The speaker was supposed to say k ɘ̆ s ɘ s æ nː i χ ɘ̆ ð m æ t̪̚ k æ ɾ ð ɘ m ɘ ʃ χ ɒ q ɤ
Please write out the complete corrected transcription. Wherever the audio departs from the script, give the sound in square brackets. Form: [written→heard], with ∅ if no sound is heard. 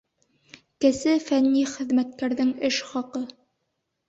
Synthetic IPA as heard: k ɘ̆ s ɘ [s→f] æ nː i χ ɘ̆ ð m æ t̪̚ k æ ɾ ð ɘ [m→ŋ] ɘ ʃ χ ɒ q ɤ